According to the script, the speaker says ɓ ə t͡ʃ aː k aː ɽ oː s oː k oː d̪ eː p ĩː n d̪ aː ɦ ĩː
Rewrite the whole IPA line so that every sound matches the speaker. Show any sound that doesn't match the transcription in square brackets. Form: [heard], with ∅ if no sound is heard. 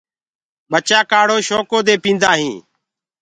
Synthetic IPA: ɓ ə t͡ʃ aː k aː ɽ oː [ʃ] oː k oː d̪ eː p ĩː n d̪ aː ɦ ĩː